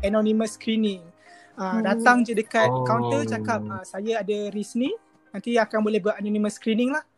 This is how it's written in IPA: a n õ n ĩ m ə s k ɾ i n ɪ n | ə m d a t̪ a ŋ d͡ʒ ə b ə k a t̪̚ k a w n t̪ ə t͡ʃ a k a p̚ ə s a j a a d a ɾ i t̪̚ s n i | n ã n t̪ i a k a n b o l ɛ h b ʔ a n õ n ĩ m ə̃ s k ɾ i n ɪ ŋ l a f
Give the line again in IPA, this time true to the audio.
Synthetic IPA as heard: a n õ n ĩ m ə s k ɾ i n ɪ ŋ | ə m d a t̪ a ŋ d͡ʒ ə d ə k a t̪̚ k a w n t̪ ə t͡ʃ a k a p̚ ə s a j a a d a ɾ i s n i | n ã n t̪ i a k a n b o l ɛ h b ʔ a n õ n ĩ m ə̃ s k ɾ i n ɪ ŋ l a h